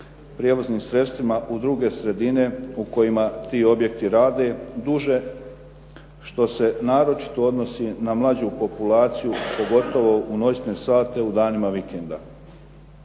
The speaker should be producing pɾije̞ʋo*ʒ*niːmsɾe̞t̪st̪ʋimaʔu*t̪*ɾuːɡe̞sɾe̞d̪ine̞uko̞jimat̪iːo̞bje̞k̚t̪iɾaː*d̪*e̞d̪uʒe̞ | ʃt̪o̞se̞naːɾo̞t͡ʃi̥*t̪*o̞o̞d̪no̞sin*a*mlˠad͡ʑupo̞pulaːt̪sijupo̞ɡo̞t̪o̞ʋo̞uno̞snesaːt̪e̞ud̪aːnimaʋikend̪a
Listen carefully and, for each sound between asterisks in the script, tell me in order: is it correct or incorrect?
incorrect: z, incorrect: d̪, correct, correct, correct

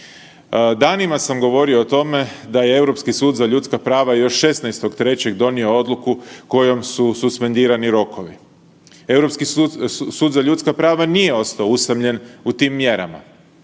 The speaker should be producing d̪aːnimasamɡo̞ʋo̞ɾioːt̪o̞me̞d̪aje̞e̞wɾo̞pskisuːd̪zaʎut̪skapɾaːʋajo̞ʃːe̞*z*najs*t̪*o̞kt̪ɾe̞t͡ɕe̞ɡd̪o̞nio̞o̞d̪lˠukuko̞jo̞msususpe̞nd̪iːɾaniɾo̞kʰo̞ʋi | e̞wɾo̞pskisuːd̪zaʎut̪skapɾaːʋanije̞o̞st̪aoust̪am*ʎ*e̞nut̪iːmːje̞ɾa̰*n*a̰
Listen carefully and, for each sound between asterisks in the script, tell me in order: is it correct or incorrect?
incorrect: s, correct, correct, incorrect: m

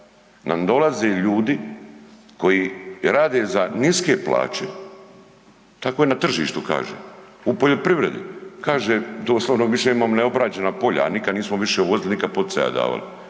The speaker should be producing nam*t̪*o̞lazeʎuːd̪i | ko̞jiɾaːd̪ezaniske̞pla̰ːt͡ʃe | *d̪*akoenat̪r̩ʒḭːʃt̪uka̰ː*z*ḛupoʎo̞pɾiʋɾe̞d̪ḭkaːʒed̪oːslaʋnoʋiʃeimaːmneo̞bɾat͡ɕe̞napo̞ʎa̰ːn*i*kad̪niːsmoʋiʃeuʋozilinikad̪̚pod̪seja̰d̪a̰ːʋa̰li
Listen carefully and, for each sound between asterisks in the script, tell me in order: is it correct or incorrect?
incorrect: d̪, incorrect: t̪, incorrect: ʒ, correct

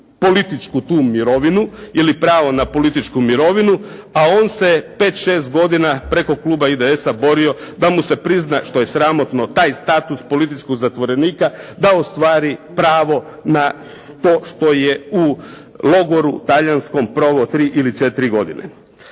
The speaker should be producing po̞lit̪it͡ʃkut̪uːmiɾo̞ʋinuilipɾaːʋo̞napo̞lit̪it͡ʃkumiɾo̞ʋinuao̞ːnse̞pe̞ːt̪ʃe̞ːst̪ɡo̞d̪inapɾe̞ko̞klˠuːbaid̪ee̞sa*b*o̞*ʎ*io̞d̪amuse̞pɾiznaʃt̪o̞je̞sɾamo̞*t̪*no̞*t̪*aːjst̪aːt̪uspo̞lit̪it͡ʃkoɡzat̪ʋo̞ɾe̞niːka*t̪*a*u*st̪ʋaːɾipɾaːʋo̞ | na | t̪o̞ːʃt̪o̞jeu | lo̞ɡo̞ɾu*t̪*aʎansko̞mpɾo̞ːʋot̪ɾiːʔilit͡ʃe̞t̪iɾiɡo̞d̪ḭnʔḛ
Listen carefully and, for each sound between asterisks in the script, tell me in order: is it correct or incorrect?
correct, incorrect: ɾ, correct, correct, incorrect: d̪, incorrect: o, correct

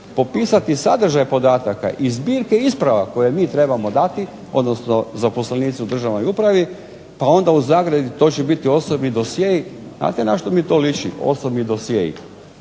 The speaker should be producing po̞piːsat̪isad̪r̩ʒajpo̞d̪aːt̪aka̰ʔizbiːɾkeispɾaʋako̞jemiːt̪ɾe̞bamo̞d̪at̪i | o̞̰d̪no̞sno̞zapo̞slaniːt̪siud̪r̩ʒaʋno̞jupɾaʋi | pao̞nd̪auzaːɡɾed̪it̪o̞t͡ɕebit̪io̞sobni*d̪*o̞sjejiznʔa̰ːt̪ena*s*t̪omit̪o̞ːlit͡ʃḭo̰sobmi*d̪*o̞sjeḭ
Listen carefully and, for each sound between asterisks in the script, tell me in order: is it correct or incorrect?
correct, incorrect: ʃ, correct

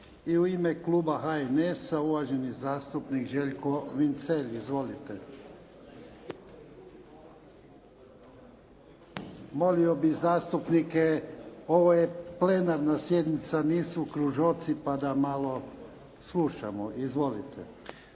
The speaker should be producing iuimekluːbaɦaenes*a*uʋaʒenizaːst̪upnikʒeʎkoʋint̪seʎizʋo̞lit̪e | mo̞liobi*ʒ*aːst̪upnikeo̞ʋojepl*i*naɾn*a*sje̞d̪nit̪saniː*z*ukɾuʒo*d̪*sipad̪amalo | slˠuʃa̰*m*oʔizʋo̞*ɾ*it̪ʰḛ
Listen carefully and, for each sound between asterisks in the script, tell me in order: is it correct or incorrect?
correct, incorrect: z, incorrect: e, correct, incorrect: s, incorrect: t̪, correct, incorrect: l

